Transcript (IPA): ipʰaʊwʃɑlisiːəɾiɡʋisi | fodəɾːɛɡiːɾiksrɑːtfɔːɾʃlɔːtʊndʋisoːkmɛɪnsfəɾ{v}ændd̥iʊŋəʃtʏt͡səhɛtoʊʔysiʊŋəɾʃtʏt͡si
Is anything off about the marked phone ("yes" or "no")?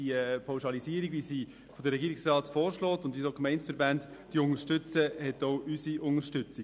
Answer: yes